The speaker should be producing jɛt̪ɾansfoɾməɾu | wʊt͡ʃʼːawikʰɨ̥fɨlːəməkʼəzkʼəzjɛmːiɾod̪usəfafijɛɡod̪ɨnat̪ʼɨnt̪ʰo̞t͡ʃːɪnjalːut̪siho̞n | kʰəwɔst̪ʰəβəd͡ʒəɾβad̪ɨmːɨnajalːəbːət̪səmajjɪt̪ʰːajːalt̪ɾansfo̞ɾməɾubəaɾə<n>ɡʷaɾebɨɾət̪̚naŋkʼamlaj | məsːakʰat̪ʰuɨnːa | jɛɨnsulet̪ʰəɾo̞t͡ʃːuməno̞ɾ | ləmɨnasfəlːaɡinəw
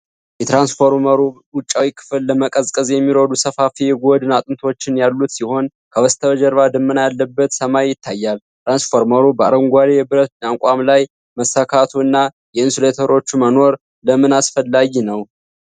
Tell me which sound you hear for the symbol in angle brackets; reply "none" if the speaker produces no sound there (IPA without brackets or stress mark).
ŋ